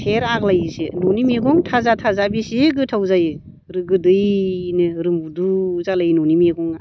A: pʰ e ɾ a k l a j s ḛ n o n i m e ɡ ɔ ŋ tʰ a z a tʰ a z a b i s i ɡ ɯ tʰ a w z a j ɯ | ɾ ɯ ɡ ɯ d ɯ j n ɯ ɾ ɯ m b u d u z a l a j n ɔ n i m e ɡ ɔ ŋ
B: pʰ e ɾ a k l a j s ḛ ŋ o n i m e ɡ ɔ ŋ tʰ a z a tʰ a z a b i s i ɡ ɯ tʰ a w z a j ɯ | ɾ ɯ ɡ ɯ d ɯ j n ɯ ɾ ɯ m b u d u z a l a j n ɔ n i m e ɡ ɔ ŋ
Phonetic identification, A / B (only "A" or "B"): A